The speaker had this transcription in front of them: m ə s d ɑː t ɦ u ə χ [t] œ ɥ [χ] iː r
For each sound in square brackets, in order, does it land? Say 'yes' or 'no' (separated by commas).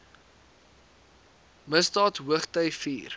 yes, no